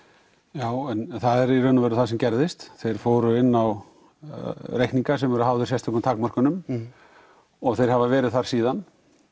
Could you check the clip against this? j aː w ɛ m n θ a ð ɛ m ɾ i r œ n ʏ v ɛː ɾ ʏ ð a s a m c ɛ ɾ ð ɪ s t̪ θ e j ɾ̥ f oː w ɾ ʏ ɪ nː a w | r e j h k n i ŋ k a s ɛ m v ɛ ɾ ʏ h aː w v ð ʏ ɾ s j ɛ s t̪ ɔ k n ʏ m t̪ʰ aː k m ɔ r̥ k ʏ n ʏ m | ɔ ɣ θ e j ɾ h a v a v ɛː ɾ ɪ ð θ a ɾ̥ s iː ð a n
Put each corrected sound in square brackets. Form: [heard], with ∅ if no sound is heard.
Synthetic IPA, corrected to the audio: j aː w ɛ [∅] n θ a ð ɛ [∅] ɾ i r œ n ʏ v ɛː ɾ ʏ [θ] a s [ɛ] m c ɛ ɾ ð ɪ s t̪ θ e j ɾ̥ f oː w ɾ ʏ ɪ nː a w | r e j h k n i ŋ k a s ɛ m v ɛ ɾ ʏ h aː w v ð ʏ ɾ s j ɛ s t̪ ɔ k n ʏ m t̪ʰ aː k m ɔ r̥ k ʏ n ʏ m | ɔ ɣ θ e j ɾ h a v a v ɛː ɾ ɪ ð θ a ɾ̥ s iː ð a n